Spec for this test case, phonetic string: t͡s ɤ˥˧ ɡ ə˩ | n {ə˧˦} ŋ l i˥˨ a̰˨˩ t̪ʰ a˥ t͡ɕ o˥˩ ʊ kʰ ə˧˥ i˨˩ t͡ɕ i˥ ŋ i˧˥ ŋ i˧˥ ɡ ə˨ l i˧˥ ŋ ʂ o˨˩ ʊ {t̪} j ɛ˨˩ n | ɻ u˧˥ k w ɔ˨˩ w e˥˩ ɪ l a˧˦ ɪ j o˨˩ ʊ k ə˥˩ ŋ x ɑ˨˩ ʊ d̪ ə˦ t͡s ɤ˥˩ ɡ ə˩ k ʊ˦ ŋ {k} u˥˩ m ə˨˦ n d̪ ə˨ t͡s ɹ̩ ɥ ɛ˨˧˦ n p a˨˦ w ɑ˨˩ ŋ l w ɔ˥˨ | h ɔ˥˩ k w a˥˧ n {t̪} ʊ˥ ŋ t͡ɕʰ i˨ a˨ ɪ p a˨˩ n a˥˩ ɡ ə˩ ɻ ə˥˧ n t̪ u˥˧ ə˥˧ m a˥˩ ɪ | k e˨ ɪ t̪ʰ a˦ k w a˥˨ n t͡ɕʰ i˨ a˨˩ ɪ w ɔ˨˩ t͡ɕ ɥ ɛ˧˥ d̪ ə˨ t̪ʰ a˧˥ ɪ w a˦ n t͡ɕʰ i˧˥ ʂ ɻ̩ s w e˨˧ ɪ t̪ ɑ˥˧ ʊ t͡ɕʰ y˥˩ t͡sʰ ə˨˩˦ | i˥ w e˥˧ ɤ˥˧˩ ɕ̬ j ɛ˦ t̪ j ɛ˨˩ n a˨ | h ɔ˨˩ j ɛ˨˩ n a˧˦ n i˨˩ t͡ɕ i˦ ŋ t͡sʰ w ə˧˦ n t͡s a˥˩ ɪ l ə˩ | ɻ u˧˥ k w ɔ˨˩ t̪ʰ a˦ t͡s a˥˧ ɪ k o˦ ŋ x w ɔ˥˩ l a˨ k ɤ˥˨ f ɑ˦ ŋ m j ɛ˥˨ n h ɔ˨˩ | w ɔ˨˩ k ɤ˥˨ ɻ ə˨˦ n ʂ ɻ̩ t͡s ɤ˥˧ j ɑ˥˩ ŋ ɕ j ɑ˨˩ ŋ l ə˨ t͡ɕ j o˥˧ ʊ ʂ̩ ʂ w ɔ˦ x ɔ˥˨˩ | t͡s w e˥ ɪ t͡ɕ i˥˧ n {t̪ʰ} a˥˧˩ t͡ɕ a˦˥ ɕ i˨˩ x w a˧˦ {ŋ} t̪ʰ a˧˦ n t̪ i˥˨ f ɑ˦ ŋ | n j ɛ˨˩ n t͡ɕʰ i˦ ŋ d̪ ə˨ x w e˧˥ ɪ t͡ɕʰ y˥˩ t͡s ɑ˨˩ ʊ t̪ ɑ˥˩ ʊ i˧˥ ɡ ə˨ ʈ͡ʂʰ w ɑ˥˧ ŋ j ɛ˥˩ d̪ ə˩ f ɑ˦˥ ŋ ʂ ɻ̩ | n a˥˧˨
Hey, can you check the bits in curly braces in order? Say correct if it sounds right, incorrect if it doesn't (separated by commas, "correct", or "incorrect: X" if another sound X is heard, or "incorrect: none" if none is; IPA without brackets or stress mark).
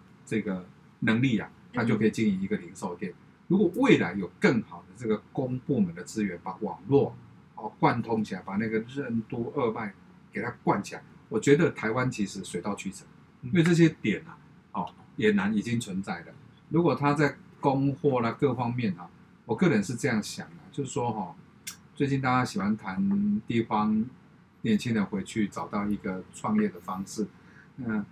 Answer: correct, correct, incorrect: p, incorrect: t̪ʰ, incorrect: t̪, incorrect: n